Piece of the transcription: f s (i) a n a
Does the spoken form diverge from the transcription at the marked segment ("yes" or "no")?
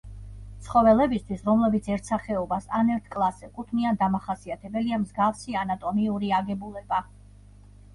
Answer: no